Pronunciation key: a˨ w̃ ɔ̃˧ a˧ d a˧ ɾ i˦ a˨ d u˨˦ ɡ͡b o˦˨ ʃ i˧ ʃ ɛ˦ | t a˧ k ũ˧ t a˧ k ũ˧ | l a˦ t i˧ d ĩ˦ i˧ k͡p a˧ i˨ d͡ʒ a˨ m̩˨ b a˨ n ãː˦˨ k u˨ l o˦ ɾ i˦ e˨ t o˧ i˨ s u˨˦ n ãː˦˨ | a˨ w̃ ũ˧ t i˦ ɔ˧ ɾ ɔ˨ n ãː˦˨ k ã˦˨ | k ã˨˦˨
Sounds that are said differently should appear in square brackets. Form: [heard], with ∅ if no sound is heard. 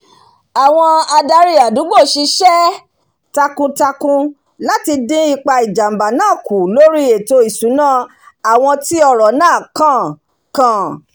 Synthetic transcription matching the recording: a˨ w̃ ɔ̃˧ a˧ d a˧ ɾ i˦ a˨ d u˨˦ ɡ͡b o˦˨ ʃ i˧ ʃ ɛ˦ | t a˧ k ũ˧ t a˧ k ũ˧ | l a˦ t i˧ d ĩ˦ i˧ k͡p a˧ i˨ d͡ʒ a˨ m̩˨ b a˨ n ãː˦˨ k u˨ l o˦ ɾ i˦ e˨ t o˧ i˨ s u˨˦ n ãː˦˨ | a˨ w̃ [ɔ̃˧] t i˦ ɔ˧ ɾ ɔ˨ n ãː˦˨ k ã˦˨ | k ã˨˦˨